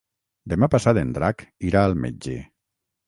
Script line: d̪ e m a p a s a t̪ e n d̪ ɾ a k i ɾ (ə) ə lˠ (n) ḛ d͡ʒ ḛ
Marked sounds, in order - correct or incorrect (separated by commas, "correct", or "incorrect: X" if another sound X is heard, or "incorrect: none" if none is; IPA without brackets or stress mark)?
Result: incorrect: a, incorrect: m